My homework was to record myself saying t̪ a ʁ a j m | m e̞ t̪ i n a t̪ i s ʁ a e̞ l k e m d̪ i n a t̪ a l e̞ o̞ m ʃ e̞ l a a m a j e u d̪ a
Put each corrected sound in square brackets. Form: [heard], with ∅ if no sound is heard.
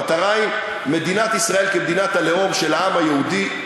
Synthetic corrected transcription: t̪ a ʁ a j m | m e̞ [d̪] i n a t̪ i s ʁ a e̞ l k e m d̪ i n a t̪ a l e̞ o̞ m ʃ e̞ l a a m a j e u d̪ [i]